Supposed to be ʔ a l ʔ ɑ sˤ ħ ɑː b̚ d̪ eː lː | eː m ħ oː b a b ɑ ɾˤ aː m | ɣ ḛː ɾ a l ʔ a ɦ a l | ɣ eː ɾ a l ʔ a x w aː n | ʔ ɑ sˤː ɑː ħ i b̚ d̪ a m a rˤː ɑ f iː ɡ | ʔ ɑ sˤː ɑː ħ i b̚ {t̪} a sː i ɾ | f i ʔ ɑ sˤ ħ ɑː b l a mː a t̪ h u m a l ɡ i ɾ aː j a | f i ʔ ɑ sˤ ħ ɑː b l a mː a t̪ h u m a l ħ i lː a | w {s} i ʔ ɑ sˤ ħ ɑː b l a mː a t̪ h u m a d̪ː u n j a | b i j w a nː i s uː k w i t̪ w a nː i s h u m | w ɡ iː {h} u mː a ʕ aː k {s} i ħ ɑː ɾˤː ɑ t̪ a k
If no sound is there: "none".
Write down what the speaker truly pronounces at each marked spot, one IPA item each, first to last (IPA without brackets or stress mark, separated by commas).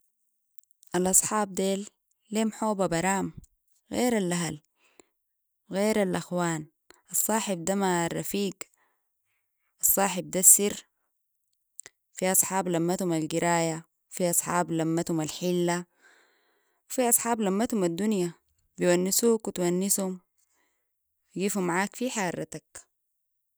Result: d̪, f, f, f